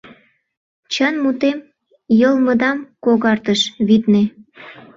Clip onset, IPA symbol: t͡ɕ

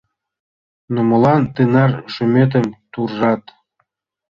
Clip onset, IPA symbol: n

